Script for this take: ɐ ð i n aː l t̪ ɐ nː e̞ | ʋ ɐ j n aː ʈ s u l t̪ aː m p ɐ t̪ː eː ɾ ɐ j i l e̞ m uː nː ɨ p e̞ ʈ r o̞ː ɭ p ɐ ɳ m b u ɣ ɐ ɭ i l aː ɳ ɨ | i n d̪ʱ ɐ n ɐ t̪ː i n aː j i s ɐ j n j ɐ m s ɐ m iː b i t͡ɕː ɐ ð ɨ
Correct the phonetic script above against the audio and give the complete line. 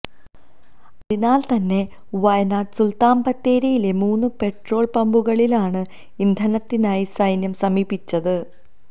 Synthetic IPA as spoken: ɐ ð i n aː l t̪ ɐ nː e̞ | ʋ ɐ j n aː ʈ s u l t̪ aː m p ɐ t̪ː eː ɾ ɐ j i l e̞ m uː nː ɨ p e̞ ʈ r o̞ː ɭ p ɐ m b u ɣ ɐ ɭ i l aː ɳ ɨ | i n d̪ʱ ɐ n ɐ t̪ː i n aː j i s ɐ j n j ɐ m s ɐ m iː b i t͡ɕː ɐ ð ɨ